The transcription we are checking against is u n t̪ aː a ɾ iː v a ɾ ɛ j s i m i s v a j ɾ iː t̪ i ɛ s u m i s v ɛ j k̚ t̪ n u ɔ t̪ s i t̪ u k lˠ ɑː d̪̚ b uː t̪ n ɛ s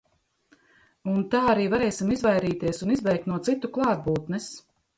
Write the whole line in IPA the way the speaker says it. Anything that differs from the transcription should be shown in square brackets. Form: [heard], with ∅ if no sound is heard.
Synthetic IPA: u n t̪ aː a ɾ iː v a ɾ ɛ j s i m i [z] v a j ɾ iː t̪ i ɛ s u [n] i [z] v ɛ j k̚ t̪ n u ɔ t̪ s i t̪ u k lˠ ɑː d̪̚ b uː t̪ n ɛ s